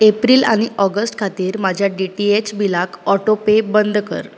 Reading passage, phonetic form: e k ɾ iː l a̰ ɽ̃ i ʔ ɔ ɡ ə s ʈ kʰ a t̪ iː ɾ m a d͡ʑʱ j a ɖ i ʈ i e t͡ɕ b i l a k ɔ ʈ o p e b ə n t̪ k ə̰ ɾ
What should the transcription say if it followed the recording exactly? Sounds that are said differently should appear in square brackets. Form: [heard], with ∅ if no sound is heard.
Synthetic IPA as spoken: e [p] ɾ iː l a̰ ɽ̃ i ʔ ɔ ɡ ə s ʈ kʰ a t̪ iː ɾ m a d͡ʑʱ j a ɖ i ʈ i e t͡ɕ b i l a k ɔ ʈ o p e b ə n [d̪] k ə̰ ɾ